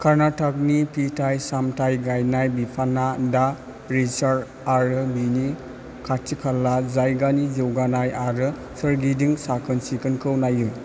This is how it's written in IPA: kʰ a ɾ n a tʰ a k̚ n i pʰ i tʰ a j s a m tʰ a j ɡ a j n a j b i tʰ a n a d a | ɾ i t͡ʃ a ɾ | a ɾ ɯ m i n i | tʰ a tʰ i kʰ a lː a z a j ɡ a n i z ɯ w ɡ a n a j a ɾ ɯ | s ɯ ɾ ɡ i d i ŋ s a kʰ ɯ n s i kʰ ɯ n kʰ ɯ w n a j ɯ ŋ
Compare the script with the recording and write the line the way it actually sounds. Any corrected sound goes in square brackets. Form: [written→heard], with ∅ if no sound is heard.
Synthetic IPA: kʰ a ɾ n a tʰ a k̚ n i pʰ i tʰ a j s a m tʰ a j ɡ a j n a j b i [tʰ→pʰ] a n a d a | ɾ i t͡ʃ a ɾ | a ɾ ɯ [m→b] i n i | [tʰ→kʰ] a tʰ i kʰ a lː a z a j ɡ a n i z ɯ w ɡ a n a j a ɾ ɯ | s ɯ ɾ ɡ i d i ŋ s a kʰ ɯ n s i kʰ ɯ n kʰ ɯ w n a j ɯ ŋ